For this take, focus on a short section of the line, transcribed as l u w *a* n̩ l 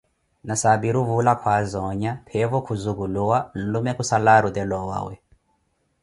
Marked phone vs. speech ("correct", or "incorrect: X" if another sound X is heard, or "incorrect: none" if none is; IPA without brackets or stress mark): correct